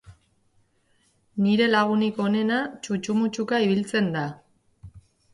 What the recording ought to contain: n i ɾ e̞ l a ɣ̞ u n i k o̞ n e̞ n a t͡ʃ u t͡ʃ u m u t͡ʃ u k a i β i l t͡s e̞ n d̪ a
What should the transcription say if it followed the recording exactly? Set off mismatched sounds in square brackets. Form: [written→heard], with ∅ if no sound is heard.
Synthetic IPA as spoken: n i ɾ e̞ l a ɣ̞ u n i k o̞ n e̞ n a t͡ʃ u t͡ʃ u m u t͡ʃ u k a i β i l t͡s e̞ n d̪ a